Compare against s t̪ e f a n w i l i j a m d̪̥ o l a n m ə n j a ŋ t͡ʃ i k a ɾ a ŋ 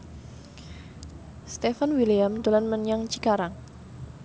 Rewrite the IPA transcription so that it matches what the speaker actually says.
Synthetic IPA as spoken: s t̪ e f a n w i l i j a m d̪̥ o l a n m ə n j a ŋ t͡ʃ i k a ɾ a ŋ